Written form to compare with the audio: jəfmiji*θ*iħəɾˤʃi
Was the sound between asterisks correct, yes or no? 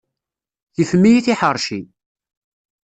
yes